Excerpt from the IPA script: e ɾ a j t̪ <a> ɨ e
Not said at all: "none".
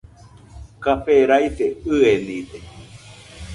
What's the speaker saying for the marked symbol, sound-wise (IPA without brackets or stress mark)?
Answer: e